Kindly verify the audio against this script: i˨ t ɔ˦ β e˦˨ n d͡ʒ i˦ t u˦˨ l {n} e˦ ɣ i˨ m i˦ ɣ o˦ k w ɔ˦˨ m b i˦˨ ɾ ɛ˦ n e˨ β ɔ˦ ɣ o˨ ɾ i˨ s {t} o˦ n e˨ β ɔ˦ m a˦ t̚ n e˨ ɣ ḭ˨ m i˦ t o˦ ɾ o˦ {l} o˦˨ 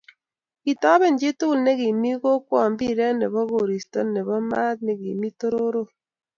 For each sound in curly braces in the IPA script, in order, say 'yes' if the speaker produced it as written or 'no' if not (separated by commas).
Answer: yes, yes, no